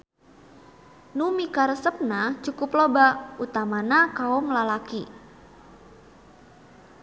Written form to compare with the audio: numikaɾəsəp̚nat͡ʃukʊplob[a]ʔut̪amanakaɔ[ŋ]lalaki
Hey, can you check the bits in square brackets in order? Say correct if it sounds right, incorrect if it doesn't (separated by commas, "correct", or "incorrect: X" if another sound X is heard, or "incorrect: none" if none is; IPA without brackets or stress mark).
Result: correct, incorrect: m